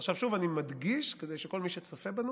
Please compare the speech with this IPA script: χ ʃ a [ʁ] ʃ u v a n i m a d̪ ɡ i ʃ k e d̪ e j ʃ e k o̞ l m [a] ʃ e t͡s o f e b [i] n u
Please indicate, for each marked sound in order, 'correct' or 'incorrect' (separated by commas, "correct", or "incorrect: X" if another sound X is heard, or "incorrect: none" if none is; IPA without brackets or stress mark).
incorrect: v, incorrect: i, incorrect: a